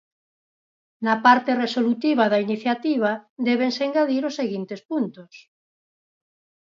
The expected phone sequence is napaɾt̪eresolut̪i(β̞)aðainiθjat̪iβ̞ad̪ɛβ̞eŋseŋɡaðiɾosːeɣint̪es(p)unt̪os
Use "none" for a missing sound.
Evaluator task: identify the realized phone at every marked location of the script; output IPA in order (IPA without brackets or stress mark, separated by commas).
β̞, p